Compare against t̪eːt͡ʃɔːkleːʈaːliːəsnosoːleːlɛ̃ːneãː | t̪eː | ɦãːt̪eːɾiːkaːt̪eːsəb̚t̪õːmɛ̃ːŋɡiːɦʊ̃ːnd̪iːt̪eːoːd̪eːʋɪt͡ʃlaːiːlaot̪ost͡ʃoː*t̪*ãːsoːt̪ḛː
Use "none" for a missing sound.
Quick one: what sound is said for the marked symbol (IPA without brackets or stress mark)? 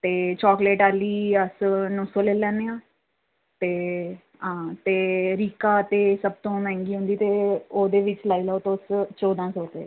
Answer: d̪